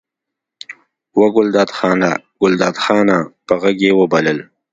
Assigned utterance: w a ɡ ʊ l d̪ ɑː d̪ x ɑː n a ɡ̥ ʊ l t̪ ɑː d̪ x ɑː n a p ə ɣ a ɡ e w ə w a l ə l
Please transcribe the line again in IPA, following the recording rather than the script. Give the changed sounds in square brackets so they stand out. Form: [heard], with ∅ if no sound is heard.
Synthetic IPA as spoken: w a ɡ ʊ l d̪ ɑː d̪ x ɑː n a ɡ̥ ʊ l [d̪] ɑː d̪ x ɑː n a p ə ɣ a ɡ e w ə [b] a l ə l